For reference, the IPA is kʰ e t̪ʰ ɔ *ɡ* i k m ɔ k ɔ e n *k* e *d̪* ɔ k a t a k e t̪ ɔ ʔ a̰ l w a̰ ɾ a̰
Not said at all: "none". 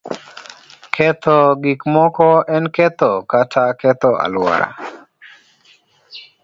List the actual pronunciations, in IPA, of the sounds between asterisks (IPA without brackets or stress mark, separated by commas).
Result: ɡ, k, t̪